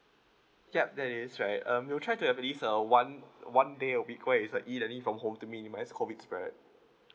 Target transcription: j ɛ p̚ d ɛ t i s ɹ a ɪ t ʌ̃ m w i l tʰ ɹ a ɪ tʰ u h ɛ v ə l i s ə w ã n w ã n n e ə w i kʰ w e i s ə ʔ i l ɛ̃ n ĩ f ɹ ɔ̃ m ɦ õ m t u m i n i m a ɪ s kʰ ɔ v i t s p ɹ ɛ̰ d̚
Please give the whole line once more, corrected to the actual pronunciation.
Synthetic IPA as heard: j ɛ p̚ d ɛ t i s ɹ a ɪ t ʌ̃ m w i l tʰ ɹ a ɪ t u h ɛ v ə l i s ə w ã n w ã n d e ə w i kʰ w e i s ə ʔ i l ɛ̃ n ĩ f ɹ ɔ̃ m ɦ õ m t u m i n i m a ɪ s kʰ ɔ v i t s p ɹ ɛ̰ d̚